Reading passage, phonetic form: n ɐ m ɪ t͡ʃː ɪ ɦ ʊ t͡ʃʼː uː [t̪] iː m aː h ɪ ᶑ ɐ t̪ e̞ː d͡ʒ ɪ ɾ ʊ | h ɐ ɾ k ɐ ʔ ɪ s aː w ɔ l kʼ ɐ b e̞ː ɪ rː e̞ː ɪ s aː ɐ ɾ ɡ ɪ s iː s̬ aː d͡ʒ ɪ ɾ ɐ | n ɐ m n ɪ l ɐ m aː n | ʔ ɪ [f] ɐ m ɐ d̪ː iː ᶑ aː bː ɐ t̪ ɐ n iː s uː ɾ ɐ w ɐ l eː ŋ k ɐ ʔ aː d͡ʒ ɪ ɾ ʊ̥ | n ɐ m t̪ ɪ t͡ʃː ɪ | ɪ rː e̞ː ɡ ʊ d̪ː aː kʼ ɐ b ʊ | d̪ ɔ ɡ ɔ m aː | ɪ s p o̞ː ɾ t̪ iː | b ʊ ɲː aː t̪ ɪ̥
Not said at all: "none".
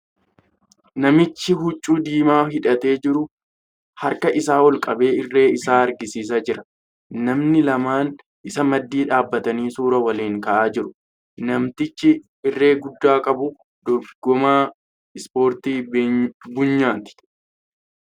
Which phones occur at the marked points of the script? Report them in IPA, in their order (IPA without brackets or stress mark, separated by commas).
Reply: d̪, s